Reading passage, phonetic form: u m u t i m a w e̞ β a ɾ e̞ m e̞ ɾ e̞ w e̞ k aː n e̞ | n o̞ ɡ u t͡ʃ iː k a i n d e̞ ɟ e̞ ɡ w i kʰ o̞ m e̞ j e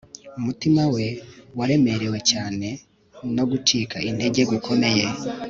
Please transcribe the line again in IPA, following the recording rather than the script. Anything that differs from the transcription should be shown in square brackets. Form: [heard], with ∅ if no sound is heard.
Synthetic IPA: u m u t i m a w e̞ [w] a ɾ e̞ m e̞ ɾ e̞ w e̞ [c] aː n e̞ | n o̞ ɡ u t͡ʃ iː k a i n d e̞ ɟ e̞ ɡ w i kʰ o̞ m e̞ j e